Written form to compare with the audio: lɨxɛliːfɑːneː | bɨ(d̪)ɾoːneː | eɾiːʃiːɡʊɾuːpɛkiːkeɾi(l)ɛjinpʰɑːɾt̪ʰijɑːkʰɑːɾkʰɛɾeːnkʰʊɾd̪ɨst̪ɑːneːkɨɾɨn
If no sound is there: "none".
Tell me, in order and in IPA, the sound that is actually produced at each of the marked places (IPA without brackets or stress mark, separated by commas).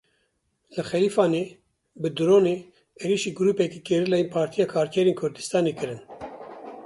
d̪, l